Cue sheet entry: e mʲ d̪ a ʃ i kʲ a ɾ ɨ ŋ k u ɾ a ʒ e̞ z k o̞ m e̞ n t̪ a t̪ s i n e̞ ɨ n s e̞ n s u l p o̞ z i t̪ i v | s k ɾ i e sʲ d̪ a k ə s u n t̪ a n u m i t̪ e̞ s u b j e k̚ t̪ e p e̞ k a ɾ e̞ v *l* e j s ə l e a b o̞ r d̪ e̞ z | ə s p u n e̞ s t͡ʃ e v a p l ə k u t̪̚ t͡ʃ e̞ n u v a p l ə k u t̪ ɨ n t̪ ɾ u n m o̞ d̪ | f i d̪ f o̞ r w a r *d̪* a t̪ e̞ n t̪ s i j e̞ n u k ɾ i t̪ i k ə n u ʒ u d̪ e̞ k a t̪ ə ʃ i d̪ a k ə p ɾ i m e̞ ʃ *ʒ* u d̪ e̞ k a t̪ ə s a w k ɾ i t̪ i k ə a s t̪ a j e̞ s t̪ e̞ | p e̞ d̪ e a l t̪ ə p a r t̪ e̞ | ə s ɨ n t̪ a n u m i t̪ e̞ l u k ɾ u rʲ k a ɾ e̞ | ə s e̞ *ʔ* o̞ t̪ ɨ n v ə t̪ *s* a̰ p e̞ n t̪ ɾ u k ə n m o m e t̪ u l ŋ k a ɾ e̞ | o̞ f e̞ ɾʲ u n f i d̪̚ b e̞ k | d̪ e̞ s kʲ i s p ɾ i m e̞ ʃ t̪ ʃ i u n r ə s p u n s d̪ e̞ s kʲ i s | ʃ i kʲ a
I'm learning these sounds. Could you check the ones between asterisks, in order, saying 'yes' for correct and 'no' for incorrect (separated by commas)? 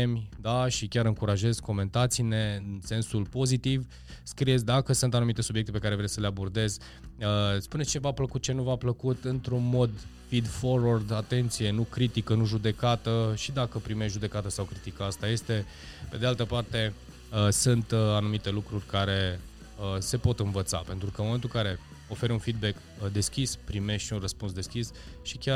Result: no, yes, yes, no, yes